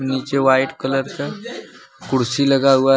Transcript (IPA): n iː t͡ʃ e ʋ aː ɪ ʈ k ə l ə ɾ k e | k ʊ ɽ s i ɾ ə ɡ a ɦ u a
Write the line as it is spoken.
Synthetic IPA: n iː t͡ʃ e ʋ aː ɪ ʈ k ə l ə ɾ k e | k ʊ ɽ s i l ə ɡ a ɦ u a

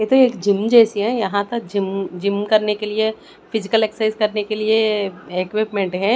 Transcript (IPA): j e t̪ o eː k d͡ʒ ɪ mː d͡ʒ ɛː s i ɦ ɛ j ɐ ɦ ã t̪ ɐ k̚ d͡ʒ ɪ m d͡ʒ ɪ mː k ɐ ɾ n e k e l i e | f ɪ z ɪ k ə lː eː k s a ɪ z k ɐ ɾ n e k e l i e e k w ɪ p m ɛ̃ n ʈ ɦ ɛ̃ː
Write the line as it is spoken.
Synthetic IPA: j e t̪ o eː k d͡ʒ ɪ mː d͡ʒ ɛː s i ɦ ɛ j ɐ ɦ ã t̪ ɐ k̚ d͡ʒ ɪ m d͡ʒ ɪ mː k ɐ ɾ n e k e l i e | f ɪ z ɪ k ə l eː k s a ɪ z k ɐ ɾ n e k e l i e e k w ɪ p m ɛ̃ ɳ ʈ ɦ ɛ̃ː

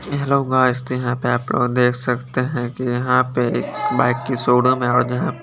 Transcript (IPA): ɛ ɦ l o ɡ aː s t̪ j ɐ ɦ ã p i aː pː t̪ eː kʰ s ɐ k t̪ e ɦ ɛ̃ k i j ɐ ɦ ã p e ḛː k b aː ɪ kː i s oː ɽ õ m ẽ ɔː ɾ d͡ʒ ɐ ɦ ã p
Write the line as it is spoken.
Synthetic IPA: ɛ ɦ l o ɡ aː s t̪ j ɐ ɦ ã p e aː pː d̪ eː kʰ s ɐ k t̪ e ɦ ɛ̃ k i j ɐ ɦ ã p e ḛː k b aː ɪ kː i s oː ɽ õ m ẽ ɔː ɾ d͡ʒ ɐ ɦ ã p

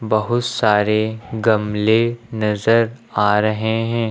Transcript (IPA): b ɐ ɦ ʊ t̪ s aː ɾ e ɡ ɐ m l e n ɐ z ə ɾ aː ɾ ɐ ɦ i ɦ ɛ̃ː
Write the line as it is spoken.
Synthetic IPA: b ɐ ɦ ʊ t̪ s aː ɾ e ɡ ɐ m l e n ɐ z ə ɾ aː ɾ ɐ ɦ e ɦ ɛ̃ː

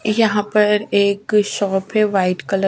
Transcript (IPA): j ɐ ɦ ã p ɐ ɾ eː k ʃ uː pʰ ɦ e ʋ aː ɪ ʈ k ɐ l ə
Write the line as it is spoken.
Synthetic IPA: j ɐ ɦ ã p ɐ ɾ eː k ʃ ɔː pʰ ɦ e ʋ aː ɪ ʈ k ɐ l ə

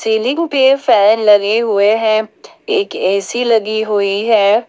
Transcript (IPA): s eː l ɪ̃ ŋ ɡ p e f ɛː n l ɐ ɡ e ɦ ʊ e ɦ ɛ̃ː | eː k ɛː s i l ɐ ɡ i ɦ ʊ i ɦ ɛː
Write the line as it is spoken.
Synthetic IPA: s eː l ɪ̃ ŋ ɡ p e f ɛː n l ɐ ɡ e ɦ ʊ e ɦ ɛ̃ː | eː k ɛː s i l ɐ ɡ i ɦ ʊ i ɦ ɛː

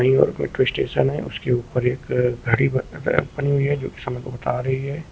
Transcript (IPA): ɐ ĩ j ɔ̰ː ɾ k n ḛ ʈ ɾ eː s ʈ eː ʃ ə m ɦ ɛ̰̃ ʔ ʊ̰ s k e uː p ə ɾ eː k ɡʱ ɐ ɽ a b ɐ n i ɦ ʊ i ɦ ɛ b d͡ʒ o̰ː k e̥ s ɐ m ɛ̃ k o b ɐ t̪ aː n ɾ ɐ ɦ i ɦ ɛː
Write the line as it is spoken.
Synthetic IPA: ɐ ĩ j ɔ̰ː ɾ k m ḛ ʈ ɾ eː s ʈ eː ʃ ə n ɦ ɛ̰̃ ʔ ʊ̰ s k e uː p ə ɾ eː k ɡʱ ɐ ɽ i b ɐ n i ɦ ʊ i ɦ ɛ d͡ʒ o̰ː k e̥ s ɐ m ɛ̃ k o b ɐ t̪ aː ɾ ɐ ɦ i ɦ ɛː

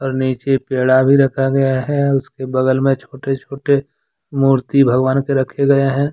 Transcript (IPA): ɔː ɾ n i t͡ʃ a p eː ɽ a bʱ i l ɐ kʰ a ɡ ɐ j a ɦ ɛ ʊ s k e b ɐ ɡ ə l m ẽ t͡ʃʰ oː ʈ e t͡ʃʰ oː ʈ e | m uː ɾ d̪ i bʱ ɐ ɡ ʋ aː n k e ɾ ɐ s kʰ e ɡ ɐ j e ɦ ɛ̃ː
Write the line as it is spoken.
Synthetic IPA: ɔː ɾ n iː t͡ʃ e p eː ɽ a bʱ i ɾ ɐ kʰ a ɡ ɐ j a ɦ ɛ ʊ s k e b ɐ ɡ ə l m ẽ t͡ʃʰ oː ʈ e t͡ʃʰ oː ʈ e | m uː ɾ t̪ i bʱ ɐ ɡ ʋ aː n k e ɾ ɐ kʰ e ɡ ɐ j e ɦ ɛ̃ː

